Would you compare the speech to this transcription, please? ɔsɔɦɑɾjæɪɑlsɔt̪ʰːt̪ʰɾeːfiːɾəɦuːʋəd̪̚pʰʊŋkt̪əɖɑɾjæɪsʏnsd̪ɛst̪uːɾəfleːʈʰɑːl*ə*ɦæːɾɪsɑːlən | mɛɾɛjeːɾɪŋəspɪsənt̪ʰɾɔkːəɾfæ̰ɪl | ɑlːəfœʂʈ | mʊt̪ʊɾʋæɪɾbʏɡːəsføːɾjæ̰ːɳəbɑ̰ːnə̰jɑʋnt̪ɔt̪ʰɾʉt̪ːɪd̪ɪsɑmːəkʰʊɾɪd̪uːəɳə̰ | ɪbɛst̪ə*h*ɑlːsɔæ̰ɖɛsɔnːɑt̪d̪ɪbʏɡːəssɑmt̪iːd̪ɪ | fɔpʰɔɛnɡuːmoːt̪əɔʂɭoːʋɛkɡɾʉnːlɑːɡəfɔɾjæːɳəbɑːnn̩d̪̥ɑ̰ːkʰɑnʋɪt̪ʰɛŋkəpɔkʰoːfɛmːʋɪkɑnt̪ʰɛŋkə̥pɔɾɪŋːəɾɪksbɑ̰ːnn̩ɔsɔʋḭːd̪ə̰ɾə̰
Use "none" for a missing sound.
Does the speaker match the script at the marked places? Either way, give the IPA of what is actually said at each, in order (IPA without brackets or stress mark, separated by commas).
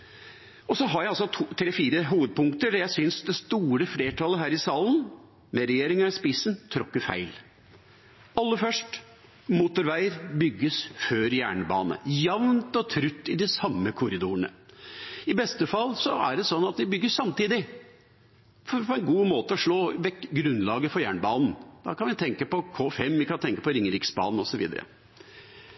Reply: ə, f